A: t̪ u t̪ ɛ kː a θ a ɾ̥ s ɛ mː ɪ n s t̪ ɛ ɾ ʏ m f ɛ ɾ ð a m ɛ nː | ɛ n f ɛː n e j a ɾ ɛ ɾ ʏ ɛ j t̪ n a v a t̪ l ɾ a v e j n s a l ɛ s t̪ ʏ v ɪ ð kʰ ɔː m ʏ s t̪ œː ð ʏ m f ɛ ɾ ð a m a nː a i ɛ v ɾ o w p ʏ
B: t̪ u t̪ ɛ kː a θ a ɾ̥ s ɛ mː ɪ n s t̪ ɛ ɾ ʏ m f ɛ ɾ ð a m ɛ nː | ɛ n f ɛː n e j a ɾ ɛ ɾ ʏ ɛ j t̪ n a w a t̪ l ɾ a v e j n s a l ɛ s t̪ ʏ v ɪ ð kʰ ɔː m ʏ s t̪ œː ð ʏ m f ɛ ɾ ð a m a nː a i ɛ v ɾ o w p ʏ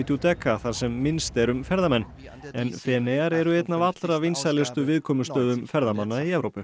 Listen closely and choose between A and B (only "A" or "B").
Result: A